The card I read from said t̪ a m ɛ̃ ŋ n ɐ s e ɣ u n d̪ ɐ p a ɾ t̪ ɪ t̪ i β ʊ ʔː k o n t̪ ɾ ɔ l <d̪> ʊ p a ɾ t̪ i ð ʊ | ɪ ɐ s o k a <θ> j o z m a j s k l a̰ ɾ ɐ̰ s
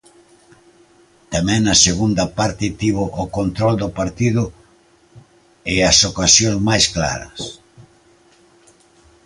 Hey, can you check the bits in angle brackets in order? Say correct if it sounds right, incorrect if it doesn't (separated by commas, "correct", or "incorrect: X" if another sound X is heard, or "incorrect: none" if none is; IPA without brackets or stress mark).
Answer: correct, incorrect: s